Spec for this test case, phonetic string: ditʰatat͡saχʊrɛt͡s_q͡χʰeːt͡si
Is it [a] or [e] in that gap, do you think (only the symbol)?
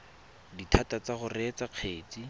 a